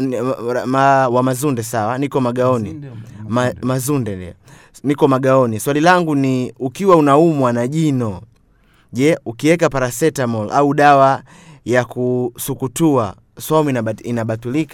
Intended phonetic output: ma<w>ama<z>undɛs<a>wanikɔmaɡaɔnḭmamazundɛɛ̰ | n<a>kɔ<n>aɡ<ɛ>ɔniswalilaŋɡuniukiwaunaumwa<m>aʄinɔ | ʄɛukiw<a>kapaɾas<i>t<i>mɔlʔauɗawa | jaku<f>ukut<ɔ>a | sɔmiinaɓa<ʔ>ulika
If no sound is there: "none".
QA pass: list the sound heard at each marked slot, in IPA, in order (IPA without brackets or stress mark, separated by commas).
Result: w, z, a, i, m, a, n, ɛ, ɛ, a, s, u, t